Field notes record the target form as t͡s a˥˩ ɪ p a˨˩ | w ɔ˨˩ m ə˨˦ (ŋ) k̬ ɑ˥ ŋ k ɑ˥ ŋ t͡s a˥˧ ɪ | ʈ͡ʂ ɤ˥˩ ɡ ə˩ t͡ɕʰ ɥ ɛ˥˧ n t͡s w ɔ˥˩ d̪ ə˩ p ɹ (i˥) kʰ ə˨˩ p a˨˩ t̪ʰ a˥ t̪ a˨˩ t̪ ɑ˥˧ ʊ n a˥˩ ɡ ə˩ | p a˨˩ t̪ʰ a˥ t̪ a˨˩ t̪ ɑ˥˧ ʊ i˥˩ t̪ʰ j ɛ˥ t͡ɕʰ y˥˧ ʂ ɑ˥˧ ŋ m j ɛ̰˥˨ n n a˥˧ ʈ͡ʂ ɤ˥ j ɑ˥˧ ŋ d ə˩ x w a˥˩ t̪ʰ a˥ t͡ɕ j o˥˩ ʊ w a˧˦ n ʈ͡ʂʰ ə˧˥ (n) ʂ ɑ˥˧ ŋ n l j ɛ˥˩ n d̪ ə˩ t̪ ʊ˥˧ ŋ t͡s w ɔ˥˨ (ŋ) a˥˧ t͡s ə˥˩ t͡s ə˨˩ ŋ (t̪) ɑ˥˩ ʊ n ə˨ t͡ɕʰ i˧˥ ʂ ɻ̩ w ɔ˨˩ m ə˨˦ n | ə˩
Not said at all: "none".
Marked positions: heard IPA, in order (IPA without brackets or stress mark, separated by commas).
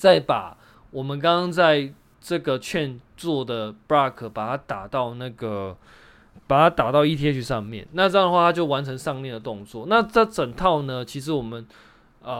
n, a˥, ŋ, n, t̪ʰ